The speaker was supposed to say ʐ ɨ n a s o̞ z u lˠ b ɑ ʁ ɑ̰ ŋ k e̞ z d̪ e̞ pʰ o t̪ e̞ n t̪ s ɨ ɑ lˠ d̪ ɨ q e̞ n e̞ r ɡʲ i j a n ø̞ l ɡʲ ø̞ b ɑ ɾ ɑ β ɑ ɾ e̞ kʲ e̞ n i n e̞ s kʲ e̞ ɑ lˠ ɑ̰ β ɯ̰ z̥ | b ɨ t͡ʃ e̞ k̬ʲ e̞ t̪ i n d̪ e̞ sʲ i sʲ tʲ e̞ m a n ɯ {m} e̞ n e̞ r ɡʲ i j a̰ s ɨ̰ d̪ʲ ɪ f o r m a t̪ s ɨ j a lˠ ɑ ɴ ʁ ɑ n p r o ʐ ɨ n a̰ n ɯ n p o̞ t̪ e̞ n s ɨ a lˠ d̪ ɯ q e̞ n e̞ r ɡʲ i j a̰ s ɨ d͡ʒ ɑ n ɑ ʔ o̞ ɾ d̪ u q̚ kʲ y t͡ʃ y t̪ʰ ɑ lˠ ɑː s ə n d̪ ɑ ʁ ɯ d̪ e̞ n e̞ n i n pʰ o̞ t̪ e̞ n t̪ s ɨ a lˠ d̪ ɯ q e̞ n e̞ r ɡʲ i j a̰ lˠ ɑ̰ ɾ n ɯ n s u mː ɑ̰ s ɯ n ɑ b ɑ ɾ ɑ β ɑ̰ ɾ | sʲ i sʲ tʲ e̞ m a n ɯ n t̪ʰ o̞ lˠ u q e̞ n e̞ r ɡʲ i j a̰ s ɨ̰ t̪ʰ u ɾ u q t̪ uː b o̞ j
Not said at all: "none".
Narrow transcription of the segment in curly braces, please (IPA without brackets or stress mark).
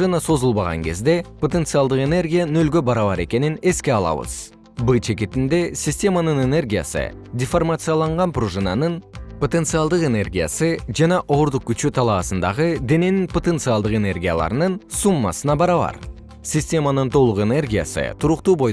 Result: n